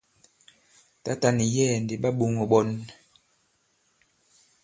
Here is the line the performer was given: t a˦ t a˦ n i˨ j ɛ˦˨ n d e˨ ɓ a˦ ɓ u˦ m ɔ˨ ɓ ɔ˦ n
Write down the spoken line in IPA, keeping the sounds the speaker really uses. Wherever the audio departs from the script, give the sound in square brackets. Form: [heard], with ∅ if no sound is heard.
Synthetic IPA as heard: t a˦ t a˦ n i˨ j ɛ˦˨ n d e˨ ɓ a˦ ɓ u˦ [ŋ] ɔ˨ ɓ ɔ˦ n